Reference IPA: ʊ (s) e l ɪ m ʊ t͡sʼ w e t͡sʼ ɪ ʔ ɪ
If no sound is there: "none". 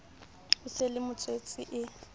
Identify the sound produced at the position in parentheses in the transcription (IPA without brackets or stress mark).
s